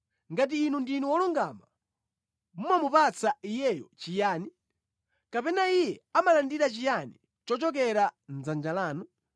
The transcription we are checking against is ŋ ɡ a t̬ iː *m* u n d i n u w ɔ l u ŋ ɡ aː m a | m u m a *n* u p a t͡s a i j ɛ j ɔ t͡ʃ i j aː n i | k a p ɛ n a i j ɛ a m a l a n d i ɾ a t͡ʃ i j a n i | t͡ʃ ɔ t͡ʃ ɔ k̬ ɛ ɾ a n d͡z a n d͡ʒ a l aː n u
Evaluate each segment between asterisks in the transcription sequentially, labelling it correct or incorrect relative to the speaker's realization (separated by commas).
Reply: incorrect, incorrect